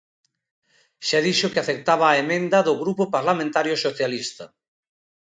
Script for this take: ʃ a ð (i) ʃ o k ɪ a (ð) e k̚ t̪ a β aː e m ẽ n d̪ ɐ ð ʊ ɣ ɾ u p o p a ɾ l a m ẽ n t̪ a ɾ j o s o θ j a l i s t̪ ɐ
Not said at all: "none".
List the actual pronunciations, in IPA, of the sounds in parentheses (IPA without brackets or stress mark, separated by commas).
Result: i, θ